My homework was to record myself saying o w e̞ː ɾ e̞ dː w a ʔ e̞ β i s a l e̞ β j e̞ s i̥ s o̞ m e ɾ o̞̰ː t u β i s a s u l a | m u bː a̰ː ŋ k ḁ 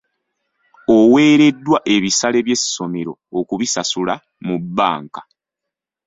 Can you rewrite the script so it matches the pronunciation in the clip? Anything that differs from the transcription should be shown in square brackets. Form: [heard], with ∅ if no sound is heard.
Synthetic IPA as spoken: o w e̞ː ɾ e̞ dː w a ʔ e̞ β i s a l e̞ β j e̞ s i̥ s o̞ m e ɾ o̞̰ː [k] u β i s a s u l a | m u bː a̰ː ŋ k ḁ